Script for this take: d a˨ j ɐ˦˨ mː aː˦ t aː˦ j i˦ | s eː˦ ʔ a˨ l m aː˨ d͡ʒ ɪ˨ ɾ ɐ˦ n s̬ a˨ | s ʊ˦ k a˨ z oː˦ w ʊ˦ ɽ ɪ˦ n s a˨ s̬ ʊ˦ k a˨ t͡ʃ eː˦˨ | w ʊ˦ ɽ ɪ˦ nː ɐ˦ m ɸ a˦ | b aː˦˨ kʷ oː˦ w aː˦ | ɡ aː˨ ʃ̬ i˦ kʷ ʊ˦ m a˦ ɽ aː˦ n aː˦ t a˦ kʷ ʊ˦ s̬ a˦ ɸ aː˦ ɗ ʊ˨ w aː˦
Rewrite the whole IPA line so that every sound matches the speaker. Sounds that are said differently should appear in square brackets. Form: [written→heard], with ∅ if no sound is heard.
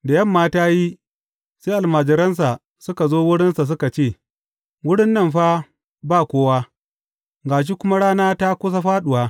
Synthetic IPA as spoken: d a˨ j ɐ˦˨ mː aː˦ t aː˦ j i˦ | s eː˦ ʔ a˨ l m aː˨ d͡ʒ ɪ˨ ɾ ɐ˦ n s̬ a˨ | s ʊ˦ k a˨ z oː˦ w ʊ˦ ɽ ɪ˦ n s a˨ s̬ ʊ˦ k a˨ t͡ʃ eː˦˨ | w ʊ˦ ɽ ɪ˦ nː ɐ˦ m ɸ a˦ | b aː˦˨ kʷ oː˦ w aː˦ | ɡ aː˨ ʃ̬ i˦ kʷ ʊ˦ m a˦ ɽ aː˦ n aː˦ t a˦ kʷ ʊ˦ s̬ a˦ ɸ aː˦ ɗ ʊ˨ w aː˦